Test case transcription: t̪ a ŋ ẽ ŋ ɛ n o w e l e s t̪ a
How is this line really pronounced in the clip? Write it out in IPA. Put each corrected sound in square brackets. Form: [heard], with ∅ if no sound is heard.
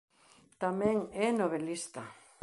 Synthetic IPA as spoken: t̪ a [m] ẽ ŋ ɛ n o [β] e l [i] s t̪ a